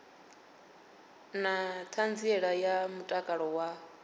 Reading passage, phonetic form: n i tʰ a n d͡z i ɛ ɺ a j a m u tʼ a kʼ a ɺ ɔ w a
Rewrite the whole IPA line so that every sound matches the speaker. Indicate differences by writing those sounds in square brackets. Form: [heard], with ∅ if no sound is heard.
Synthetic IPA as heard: n [a] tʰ a n d͡z i ɛ ɺ a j a m u tʼ a kʼ a ɺ ɔ w a